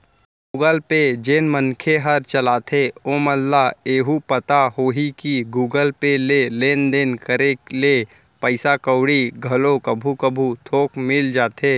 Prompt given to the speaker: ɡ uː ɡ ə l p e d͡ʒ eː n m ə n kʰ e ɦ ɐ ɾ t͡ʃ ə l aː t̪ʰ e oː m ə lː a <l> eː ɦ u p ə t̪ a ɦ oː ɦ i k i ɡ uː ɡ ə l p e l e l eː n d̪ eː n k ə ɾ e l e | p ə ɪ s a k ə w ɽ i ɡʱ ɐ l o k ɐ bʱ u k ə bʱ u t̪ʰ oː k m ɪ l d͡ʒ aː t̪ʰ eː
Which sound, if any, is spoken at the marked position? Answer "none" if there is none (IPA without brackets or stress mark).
none